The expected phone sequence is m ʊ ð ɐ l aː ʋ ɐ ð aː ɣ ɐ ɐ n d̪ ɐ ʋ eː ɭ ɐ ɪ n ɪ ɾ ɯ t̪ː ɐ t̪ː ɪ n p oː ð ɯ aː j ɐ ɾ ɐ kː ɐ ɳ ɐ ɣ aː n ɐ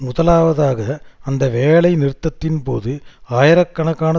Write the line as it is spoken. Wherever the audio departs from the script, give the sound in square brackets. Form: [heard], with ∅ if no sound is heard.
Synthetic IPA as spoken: m ʊ ð ɐ l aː ʋ ɐ ð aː ɣ ɐ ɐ n d̪ ɐ ʋ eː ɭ ɐ ɪ n ɪ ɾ ɯ t̪ː ɐ t̪ː ɪ n p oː ð ɯ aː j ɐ ɾ ɐ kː ɐ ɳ ɐ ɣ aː n ɐ

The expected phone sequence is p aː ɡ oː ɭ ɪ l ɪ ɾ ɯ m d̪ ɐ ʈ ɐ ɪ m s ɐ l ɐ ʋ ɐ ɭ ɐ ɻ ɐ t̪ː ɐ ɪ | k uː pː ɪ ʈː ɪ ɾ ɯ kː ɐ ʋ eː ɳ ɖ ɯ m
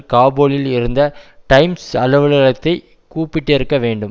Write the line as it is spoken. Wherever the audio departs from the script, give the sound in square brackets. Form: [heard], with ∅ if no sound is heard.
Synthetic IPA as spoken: [k] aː [b] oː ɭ ɪ l ɪ ɾ ɯ [n] d̪ ɐ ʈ ɐ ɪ m s ɐ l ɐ ʋ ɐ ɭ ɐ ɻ ɐ t̪ː ɐ ɪ | k uː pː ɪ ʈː ɪ ɾ ɯ kː ɐ ʋ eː ɳ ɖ ɯ m

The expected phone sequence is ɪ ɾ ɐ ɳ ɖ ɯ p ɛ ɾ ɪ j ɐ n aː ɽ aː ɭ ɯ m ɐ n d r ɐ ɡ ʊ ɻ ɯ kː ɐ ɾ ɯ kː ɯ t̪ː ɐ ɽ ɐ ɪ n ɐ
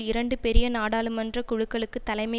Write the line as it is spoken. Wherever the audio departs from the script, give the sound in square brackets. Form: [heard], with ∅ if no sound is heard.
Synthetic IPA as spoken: ɪ ɾ ɐ ɳ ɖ ɯ p ɛ ɾ ɪ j ɐ n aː ɽ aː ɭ ɯ m ɐ n d r ɐ [k] ʊ ɻ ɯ kː ɐ [ɭ] ɯ kː ɯ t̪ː ɐ [l] ɐ ɪ [m] ɐ

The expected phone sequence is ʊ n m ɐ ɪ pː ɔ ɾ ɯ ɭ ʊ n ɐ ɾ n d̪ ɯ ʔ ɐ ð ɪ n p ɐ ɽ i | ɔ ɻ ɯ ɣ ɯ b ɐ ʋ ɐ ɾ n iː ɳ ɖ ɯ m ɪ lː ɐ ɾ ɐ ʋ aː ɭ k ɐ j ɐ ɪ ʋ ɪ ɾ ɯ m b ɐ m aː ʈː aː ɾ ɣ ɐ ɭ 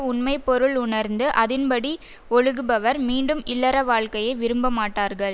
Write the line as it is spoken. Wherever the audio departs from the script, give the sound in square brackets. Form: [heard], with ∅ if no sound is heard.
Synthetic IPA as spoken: ʊ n m ɐ ɪ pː ɔ ɾ ɯ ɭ ʊ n ɐ ɾ n d̪ ɯ ʔ ɐ ð ɪ n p ɐ ɽ i | ɔ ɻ ɯ ɣ ɯ b ɐ ʋ ɐ ɾ [m] iː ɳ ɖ ɯ m ɪ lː ɐ ɾ ɐ ʋ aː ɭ k ɐ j ɐ ɪ ʋ ɪ ɾ ɯ m b ɐ m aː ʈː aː ɾ ɣ ɐ ɭ

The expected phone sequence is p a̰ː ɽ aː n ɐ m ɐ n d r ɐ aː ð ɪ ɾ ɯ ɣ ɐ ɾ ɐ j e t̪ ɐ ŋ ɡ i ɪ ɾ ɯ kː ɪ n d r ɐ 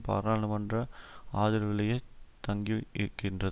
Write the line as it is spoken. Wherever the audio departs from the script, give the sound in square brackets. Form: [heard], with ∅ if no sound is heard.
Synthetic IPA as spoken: p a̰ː [ɾ] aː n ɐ m ɐ n d r ɐ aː ð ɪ ɾ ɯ ɣ ɐ [ɭ] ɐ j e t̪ ɐ ŋ ɡ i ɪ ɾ ɯ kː ɪ n d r ɐ

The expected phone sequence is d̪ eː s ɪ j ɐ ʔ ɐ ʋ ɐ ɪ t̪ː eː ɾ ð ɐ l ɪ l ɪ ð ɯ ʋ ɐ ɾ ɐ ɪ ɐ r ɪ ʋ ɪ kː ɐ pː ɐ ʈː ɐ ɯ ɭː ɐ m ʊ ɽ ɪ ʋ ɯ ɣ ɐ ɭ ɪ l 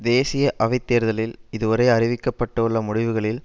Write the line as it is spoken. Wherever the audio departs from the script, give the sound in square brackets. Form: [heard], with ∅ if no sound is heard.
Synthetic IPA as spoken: d̪ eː s ɪ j ɐ ʔ ɐ ʋ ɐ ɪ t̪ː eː ɾ ð ɐ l ɪ l ɪ ð ɯ ʋ ɐ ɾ ɐ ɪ ɐ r ɪ ʋ ɪ kː ɐ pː ɐ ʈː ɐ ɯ ɭː ɐ m ʊ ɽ ɪ ʋ ɯ ɣ ɐ ɭ ɪ l

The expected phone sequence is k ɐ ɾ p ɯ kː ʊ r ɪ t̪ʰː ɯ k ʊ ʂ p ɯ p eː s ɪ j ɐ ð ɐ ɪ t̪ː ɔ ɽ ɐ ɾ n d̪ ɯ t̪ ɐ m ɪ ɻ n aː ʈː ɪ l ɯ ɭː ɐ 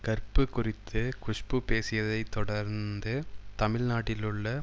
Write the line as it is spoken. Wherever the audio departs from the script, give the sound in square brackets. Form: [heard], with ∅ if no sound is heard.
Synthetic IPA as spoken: k ɐ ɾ p ɯ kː ʊ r ɪ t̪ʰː ɯ k ʊ ʂ p ɯ p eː s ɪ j ɐ ð ɐ ɪ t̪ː ɔ ɽ ɐ ɾ n d̪ ɯ t̪ ɐ m ɪ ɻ n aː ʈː ɪ l ɯ ɭː ɐ

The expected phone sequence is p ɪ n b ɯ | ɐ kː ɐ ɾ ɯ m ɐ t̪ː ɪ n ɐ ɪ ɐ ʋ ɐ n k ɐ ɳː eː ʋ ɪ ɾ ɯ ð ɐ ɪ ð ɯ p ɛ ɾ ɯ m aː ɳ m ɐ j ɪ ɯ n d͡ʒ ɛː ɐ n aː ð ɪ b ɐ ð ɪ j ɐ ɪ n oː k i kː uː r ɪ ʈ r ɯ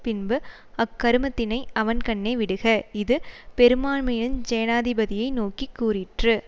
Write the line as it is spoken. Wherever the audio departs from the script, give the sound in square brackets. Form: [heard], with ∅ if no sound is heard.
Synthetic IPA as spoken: p ɪ n b ɯ | ɐ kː ɐ ɾ ɯ m ɐ t̪ː ɪ n ɐ ɪ ɐ ʋ ɐ n k ɐ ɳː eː ʋ ɪ [ɽ] ɯ [ɣ] ɐ ɪ ð ɯ p ɛ ɾ ɯ m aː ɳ m ɐ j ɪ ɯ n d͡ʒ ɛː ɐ n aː ð ɪ b ɐ ð ɪ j ɐ ɪ n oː k i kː uː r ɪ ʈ r ɯ

